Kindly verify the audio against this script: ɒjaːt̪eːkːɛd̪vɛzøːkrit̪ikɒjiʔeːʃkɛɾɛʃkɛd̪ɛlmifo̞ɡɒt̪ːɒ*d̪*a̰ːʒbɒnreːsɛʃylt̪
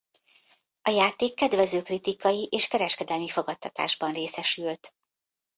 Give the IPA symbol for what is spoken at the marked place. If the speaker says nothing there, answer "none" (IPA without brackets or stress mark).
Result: t̪